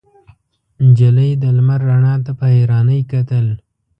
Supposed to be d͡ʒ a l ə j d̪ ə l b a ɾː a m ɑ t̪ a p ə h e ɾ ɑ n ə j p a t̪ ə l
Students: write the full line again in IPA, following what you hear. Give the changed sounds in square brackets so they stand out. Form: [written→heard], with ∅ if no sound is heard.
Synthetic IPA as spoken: d͡ʒ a l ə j d̪ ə l [b→m] a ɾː a [m→ɳ] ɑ t̪ a p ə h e ɾ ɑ n ə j [p→k] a t̪ ə l